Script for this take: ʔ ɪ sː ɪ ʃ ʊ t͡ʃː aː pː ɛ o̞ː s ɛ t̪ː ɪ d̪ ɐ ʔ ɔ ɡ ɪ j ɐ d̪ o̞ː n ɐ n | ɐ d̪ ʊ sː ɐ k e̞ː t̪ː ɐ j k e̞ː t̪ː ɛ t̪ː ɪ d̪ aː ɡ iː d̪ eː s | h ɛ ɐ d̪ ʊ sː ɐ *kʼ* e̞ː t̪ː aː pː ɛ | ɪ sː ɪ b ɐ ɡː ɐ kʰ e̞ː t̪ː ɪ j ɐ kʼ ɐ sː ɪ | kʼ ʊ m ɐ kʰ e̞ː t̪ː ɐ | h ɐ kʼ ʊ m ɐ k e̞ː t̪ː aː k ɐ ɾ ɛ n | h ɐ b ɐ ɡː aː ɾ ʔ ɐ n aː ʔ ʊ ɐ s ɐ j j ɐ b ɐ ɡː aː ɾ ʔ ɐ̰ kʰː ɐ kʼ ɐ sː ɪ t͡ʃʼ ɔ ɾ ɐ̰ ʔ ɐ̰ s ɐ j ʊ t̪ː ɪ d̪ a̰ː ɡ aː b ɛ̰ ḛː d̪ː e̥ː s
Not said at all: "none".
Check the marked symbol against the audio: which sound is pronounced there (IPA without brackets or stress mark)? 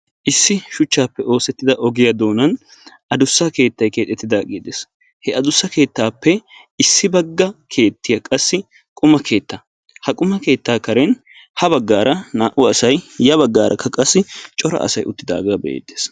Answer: k